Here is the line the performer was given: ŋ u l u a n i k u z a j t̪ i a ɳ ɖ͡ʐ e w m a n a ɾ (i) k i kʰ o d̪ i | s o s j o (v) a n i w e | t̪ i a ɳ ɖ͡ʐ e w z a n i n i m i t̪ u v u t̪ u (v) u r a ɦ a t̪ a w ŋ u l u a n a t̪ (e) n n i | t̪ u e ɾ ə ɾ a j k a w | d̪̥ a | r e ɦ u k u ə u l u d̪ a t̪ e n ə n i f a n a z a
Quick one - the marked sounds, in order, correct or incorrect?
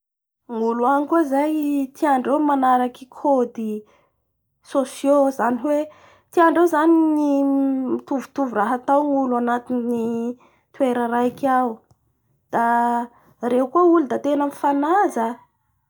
incorrect: a, incorrect: z, correct, incorrect: i

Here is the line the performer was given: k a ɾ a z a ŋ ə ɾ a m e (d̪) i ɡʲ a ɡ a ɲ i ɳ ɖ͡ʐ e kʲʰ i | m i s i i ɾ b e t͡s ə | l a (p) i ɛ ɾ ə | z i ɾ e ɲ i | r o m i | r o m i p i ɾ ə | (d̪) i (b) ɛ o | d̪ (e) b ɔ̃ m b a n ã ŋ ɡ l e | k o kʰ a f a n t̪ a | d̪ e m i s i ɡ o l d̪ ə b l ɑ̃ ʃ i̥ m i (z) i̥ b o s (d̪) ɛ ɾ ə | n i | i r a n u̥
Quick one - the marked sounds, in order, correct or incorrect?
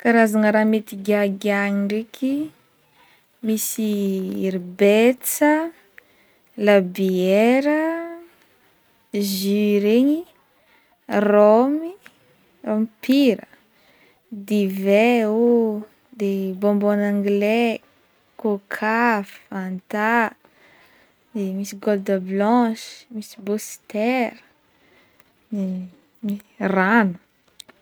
incorrect: t̪, incorrect: b, correct, incorrect: v, correct, incorrect: s, incorrect: t̪

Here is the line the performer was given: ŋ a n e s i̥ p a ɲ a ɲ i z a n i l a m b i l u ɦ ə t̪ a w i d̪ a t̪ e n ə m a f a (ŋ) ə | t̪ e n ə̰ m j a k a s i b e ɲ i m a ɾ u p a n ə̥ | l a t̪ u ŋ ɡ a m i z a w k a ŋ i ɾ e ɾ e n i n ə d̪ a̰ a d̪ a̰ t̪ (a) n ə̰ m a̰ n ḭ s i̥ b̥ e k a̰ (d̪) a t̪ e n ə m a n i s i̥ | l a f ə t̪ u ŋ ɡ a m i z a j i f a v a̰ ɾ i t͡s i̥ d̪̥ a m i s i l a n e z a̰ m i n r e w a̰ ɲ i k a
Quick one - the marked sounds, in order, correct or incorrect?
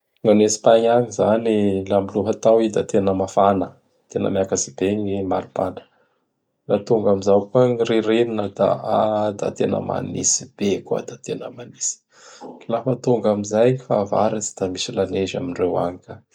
incorrect: n, incorrect: e, correct

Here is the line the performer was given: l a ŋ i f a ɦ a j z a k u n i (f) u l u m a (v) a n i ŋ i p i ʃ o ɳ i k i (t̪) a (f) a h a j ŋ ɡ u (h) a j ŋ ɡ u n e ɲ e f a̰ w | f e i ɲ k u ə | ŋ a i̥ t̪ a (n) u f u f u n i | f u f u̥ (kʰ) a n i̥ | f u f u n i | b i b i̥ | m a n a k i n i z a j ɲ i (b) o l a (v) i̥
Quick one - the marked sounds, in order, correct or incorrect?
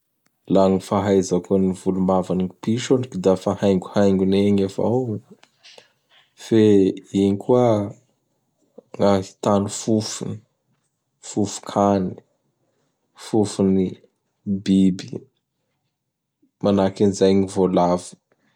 incorrect: v, correct, incorrect: d̪, correct, correct, correct, correct, incorrect: v, correct

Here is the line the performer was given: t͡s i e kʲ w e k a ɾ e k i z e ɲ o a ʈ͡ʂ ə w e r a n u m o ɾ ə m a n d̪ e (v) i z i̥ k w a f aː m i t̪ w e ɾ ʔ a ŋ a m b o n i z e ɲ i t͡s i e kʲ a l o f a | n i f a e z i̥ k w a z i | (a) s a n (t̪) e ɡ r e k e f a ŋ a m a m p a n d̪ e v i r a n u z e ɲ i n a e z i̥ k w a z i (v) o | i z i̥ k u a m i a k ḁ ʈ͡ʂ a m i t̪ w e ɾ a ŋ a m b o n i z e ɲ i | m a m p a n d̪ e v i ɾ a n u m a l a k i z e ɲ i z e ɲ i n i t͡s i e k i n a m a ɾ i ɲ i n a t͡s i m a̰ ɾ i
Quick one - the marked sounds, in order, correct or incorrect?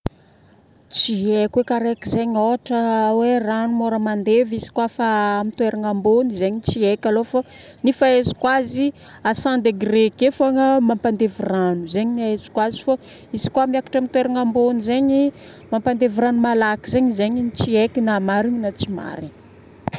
correct, correct, incorrect: d̪, incorrect: f

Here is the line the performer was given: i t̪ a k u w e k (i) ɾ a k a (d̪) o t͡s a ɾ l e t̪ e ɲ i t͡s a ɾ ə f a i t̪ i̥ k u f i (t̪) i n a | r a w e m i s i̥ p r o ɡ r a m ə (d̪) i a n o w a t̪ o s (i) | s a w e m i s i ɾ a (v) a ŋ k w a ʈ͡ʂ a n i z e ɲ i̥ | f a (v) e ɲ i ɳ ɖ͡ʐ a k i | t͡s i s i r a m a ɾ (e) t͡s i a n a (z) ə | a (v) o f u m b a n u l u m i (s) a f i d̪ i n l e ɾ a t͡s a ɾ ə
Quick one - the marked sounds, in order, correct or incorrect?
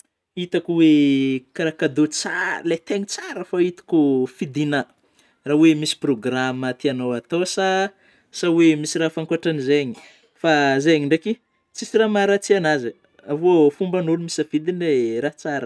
incorrect: a, correct, incorrect: d̪, incorrect: t̪, incorrect: a, incorrect: f, incorrect: z, incorrect: a, correct, correct, correct

